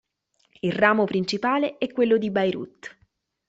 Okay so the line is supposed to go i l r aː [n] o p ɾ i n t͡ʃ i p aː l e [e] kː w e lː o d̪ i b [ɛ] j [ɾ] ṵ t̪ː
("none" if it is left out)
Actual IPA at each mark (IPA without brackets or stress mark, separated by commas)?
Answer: m, ɛ, a, ɾ